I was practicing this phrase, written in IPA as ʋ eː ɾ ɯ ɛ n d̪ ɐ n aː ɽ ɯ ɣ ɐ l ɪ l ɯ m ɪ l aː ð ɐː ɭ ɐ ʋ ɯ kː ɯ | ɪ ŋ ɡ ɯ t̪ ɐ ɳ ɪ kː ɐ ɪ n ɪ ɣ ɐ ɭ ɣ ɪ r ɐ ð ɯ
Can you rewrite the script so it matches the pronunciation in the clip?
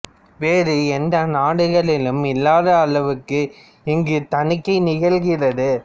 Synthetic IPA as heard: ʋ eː ɾ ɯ ɛ n d̪ ɐ n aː ɽ ɯ ɣ ɐ ɭ ɪ l ɯ m ɪ lː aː ð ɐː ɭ ɐ ʋ ɯ kː ɯ | ɪ ŋ ɡ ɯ t̪ ɐ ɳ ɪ kː ɐ ɪ n ɪ ɣ ɐ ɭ ɣ ɪ r ɐ ð ɯ